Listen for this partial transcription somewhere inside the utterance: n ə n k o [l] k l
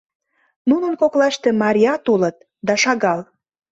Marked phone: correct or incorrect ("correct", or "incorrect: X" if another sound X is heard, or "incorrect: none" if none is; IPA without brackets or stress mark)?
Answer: incorrect: none